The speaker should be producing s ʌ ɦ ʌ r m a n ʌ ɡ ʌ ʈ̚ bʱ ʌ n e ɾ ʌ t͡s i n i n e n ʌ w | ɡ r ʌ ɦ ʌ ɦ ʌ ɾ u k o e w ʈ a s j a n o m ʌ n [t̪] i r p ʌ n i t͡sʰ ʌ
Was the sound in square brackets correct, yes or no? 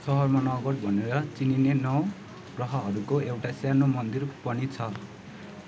no